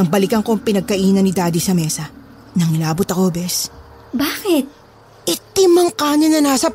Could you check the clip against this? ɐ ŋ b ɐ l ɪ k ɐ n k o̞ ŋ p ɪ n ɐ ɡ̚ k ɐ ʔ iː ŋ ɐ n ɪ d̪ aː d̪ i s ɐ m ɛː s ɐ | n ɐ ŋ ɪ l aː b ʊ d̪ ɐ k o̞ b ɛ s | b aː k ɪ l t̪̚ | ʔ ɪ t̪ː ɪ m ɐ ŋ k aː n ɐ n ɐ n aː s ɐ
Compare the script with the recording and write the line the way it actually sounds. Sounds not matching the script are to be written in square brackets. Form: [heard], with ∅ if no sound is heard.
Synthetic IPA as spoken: ɐ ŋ b ɐ l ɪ k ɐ [ŋ] k o̞ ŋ p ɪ n ɐ ɡ̚ k ɐ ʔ iː [n] ɐ n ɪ d̪ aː d̪ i s ɐ m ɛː s ɐ | n ɐ ŋ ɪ l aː b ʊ [t̪] ɐ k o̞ b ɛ s | b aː k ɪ [∅] t̪̚ | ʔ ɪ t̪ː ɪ m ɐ ŋ k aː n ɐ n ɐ n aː s ɐ